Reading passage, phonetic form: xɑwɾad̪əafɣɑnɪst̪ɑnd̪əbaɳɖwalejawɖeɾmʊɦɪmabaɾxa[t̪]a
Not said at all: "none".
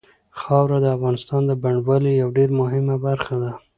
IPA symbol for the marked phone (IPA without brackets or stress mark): d̪